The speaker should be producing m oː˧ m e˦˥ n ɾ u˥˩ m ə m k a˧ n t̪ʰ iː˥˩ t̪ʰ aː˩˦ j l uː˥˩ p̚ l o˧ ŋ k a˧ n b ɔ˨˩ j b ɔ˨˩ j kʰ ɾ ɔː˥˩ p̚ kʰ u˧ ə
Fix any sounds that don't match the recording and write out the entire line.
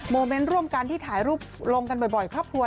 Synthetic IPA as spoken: m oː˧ m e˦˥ n ɾ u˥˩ ə m k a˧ n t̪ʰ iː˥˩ t̪ʰ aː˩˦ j ɾ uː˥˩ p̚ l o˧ ŋ k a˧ n b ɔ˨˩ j b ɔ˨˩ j kʰ ɾ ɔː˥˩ p̚ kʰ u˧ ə